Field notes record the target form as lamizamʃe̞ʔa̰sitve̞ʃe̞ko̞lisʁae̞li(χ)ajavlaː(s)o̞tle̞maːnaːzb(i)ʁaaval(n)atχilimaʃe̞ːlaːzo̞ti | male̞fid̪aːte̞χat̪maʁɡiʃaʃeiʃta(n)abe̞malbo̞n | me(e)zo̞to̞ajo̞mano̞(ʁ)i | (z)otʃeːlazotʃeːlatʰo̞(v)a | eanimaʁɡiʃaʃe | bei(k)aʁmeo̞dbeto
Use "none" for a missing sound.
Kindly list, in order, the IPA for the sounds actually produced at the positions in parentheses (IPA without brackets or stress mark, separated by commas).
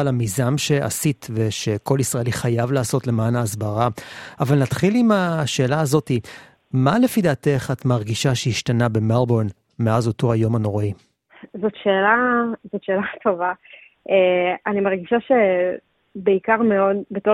χ, s, a, n, n, a, ʁ, z, v, k